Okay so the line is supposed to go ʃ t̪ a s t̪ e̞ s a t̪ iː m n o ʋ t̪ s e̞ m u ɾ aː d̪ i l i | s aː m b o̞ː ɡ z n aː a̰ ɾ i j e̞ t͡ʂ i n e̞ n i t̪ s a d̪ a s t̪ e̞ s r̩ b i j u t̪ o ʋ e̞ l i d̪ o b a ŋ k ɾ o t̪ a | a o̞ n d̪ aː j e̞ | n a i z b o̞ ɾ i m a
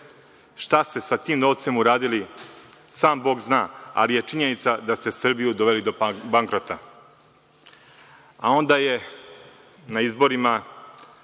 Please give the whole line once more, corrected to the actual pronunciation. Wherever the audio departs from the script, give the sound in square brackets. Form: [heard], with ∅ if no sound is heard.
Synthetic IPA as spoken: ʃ t̪ a s t̪ e̞ s a t̪ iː m n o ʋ t̪ s e̞ m u ɾ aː d̪ i l i | s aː m b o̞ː ɡ z n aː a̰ [l] i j e̞ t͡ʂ i [ɲ] e̞ n i t̪ s a d̪ a s t̪ e̞ s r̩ b i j u [d̪] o ʋ e̞ l i d̪ o b a ŋ k ɾ o t̪ a | a o̞ n d̪ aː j e̞ | n a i z b o̞ ɾ i m a